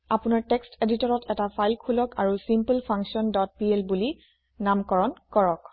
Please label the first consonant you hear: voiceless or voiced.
voiceless